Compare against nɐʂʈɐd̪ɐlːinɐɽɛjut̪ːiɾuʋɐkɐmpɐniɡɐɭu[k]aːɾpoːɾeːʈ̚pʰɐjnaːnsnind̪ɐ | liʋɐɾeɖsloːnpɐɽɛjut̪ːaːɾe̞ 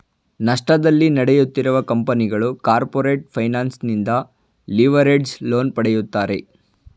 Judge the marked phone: correct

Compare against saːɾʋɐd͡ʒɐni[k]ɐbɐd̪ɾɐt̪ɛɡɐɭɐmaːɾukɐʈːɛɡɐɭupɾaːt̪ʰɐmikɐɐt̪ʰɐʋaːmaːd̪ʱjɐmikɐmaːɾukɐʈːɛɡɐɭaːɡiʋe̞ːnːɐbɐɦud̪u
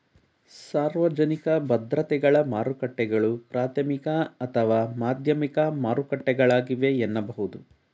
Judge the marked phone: correct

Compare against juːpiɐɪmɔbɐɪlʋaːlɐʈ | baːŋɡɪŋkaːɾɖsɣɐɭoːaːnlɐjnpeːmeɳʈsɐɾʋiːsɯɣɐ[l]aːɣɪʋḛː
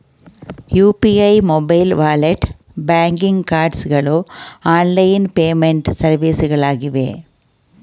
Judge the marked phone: incorrect: ɭ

